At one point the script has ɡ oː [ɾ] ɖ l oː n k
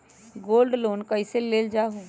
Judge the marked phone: incorrect: l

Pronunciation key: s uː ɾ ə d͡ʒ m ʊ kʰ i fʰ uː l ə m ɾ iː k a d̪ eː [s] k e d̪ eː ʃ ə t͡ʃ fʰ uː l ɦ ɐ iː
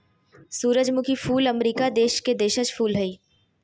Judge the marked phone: incorrect: ʃ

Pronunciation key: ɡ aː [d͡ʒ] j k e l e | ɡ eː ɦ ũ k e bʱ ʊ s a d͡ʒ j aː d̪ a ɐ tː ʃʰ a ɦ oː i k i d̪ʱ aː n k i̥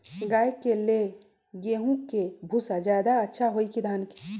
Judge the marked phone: incorrect: none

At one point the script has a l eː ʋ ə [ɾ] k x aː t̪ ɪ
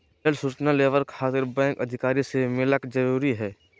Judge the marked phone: correct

